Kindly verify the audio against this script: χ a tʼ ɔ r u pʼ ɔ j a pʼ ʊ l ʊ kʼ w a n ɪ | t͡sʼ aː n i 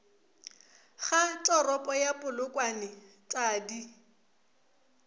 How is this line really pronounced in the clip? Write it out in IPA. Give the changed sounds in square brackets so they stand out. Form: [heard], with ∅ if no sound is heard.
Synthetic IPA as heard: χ a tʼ ɔ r [ɔ] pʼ ɔ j a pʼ ʊ l ʊ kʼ w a n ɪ | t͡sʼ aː [d] i